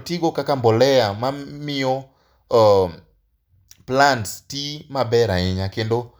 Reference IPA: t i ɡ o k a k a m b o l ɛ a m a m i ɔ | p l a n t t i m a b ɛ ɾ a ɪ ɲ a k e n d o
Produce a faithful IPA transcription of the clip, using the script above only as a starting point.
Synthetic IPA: t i ɡ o k a k a m b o l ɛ a m a m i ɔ | p l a n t t i m a b ɛ ɾ a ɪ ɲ a k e n d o